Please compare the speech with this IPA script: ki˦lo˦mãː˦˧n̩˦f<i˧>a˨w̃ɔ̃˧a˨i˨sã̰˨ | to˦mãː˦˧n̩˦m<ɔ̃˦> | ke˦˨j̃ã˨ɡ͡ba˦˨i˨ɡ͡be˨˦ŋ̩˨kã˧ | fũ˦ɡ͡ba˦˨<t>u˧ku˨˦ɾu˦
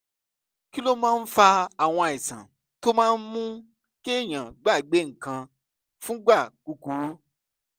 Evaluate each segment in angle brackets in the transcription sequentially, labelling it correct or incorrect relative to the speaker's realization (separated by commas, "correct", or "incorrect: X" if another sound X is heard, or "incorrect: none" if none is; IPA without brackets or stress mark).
incorrect: a˧, incorrect: ũ˦, incorrect: k